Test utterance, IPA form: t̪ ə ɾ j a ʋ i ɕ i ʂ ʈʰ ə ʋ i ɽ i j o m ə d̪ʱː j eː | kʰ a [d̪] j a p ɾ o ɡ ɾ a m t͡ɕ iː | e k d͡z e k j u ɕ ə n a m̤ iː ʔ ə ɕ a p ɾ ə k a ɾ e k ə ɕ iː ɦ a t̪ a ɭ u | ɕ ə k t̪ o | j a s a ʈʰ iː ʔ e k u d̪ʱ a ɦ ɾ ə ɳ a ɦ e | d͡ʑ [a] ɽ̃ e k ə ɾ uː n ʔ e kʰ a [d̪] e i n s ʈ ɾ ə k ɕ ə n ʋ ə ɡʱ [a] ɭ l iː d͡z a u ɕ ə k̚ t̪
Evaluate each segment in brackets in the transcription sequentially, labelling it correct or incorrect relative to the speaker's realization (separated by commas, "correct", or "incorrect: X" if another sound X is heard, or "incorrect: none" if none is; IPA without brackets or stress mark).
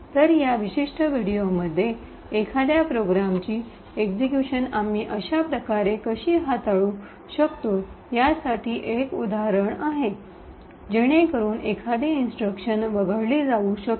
correct, incorrect: e, correct, incorrect: ə